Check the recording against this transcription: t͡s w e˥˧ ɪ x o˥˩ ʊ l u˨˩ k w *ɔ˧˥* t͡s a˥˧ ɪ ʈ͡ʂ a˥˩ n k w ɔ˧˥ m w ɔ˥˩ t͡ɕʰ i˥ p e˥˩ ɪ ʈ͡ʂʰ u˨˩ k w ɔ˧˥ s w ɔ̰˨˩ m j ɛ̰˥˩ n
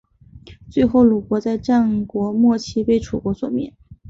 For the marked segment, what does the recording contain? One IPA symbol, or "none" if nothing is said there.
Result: ɔ˧˥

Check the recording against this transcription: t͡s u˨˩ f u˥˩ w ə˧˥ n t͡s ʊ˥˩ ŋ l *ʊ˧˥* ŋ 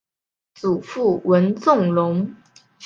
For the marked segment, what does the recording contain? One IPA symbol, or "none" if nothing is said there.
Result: ʊ˧˥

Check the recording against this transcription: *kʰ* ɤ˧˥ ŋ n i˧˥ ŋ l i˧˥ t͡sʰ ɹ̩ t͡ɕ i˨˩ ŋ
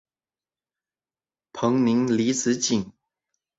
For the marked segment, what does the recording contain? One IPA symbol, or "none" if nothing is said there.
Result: pʰ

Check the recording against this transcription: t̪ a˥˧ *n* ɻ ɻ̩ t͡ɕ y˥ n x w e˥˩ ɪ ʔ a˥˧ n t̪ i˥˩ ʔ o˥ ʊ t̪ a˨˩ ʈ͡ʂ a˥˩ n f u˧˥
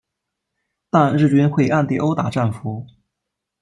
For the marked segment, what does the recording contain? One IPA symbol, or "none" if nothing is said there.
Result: n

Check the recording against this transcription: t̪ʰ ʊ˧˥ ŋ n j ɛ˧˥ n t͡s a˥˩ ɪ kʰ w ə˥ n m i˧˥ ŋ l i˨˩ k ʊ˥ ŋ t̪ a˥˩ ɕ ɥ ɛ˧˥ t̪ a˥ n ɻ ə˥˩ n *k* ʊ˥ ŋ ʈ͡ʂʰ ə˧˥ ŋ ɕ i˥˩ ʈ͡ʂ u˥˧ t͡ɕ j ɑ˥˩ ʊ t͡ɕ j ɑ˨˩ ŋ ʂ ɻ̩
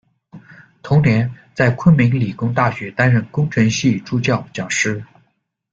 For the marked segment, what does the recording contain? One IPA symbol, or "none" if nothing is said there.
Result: k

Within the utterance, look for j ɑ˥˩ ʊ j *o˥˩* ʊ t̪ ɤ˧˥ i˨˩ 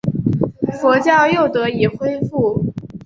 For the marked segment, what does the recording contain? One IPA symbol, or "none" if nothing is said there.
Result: o˥˩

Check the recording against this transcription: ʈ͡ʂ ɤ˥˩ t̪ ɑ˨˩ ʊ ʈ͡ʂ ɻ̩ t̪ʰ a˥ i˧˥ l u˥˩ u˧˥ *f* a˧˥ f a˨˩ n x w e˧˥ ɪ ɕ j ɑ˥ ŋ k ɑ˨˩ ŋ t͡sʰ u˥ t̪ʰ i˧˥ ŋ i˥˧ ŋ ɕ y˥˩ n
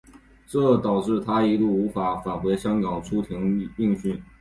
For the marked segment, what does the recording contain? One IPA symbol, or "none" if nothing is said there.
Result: f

